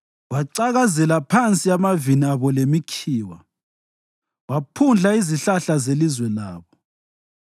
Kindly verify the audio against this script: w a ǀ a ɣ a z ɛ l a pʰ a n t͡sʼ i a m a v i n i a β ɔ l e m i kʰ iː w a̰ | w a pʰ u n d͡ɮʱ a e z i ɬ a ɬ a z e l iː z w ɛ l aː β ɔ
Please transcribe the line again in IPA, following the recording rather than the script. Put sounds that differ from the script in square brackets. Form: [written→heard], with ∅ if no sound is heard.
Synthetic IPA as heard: w a ǀ a ɣ a z ɛ l a pʰ a n t͡sʼ i a m a v i n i a β ɔ l e m i kʰ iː w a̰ | w a pʰ u n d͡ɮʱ a [e→i] z i ɬ a ɬ a z e l [iː→i] z w ɛ l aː β ɔ